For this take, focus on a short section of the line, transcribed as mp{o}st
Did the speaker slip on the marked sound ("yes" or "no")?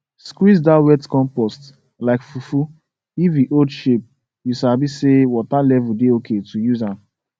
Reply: yes